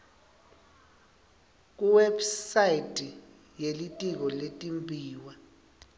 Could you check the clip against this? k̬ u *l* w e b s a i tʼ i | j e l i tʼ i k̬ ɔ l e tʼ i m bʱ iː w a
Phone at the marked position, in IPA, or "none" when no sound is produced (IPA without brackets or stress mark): none